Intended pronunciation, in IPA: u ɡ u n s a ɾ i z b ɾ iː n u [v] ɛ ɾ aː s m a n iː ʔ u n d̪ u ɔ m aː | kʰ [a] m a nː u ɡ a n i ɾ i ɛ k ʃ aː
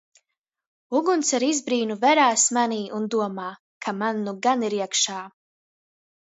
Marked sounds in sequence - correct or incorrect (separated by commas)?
correct, correct